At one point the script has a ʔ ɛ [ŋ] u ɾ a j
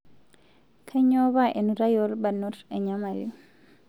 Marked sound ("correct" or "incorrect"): incorrect